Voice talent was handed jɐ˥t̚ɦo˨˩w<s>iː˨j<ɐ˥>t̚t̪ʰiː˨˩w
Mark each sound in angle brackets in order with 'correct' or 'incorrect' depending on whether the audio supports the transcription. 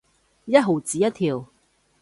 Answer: incorrect, correct

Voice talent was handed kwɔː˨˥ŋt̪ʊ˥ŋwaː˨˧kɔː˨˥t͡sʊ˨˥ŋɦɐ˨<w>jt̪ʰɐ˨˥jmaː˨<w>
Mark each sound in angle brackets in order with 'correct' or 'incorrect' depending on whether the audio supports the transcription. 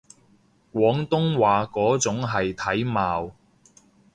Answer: incorrect, correct

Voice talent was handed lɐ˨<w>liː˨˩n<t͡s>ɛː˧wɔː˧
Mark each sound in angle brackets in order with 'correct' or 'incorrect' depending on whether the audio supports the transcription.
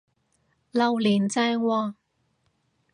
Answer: correct, correct

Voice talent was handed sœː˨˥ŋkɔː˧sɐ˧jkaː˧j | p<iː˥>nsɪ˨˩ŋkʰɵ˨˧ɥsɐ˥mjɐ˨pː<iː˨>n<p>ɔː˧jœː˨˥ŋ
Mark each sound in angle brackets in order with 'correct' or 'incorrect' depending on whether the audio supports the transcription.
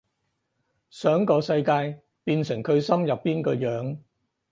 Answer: incorrect, incorrect, incorrect

